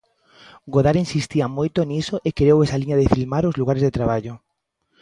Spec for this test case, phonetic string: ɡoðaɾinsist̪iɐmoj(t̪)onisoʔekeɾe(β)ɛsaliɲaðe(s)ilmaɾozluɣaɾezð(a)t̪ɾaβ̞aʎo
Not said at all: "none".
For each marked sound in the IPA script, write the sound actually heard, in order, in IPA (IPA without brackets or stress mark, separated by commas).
t̪, w, f, e